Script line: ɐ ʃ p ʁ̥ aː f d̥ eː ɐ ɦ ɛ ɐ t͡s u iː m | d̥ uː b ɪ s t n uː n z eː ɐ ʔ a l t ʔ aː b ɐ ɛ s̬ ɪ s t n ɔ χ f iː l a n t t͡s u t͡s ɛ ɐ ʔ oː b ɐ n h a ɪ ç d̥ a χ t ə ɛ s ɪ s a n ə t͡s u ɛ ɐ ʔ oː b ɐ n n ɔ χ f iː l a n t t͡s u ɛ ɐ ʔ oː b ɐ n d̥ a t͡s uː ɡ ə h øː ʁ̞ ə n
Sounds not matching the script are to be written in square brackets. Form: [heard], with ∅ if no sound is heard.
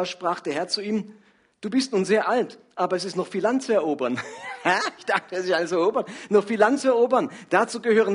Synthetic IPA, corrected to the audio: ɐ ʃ p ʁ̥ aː [χ] d̥ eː ɐ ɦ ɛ ɐ t͡s u iː m | d̥ uː b ɪ s t n uː n z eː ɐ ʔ a l t ʔ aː b ɐ ɛ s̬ ɪ s t n ɔ χ f iː l a n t t͡s u [∅] ɛ ɐ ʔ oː b ɐ n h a ɪ ç d̥ a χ t ə ɛ s ɪ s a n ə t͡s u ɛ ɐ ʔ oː b ɐ n n ɔ χ f iː l a n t t͡s u ɛ ɐ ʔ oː b ɐ n d̥ a t͡s uː ɡ ə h øː ʁ̞ ə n